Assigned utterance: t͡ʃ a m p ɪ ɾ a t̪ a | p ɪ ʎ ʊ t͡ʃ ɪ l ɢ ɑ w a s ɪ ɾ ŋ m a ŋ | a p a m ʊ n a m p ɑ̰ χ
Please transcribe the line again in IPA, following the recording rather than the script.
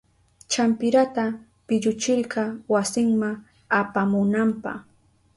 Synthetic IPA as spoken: t͡ʃ a m p ɪ ɾ a t̪ a | p ɪ ʎ ʊ t͡ʃ ɪ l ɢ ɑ w a s ɪ ŋ m a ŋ | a p a m ʊ n a m p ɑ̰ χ